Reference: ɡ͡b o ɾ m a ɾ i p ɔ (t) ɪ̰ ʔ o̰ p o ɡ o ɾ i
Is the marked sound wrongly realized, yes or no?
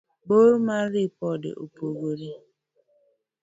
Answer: yes